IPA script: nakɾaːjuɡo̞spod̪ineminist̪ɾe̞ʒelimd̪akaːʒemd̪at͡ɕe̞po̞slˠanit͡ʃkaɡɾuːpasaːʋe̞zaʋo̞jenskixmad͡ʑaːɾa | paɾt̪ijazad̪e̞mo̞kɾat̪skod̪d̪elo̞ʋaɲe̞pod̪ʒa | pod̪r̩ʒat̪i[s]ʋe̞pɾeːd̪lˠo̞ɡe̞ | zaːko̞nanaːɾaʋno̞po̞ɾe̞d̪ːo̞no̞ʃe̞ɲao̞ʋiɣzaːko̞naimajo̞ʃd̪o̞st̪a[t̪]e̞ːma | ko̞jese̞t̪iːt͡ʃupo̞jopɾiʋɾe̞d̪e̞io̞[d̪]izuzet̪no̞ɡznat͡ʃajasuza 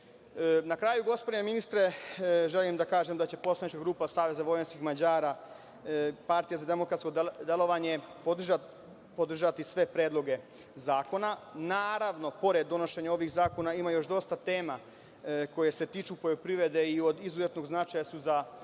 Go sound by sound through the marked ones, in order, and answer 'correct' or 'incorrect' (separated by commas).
correct, correct, correct